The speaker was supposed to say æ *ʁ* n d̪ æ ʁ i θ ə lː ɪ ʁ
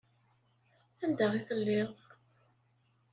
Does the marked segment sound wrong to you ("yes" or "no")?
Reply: yes